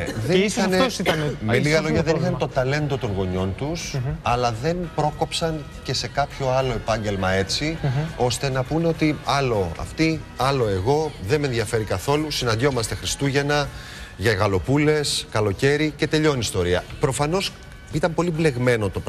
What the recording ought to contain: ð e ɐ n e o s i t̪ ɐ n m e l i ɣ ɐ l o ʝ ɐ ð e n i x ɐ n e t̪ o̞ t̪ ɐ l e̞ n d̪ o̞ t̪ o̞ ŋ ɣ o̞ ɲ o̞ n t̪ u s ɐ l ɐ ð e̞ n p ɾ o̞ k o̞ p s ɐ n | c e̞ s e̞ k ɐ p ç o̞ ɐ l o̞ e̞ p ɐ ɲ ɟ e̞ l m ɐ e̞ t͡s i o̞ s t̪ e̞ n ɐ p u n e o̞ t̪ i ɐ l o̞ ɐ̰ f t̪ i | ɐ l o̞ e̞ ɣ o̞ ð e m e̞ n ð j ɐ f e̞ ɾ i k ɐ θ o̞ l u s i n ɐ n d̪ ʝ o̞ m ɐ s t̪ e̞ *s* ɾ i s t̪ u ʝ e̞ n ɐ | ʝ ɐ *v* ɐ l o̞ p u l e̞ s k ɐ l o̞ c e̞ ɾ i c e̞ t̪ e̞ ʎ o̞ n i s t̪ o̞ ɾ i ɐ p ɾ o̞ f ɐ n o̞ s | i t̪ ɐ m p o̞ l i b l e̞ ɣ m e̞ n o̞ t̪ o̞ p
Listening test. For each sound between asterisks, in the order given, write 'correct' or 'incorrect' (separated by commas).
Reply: incorrect, incorrect